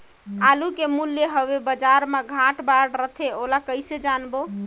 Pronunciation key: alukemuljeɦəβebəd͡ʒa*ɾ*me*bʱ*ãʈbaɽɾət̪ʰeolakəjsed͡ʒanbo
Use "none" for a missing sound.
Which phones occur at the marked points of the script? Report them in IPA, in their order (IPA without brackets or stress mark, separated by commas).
ɾ, ɡʱ